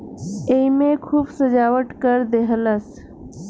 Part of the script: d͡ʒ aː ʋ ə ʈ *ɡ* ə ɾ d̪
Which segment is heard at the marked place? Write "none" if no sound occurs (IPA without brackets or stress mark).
k